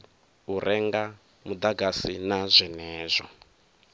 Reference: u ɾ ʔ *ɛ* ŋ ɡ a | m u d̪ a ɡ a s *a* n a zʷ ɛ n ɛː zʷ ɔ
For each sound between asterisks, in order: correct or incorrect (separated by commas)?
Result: correct, incorrect